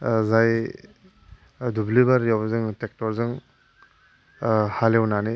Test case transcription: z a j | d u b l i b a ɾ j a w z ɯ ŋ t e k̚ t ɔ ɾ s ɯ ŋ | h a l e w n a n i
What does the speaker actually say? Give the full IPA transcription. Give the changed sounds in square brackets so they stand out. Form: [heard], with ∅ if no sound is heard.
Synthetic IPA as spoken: z a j | d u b l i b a ɾ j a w z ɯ ŋ t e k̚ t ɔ ɾ [z] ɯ ŋ | h a l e w n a n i